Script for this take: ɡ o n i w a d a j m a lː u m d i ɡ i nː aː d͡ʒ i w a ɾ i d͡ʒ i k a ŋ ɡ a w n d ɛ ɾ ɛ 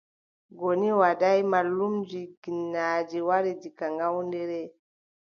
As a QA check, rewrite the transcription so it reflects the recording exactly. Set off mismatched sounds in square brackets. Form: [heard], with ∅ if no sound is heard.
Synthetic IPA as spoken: ɡ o n i w a d a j m a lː u m [d͡ʒ] i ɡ i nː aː d͡ʒ i w a ɾ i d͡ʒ i k a ŋ ɡ a w n d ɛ ɾ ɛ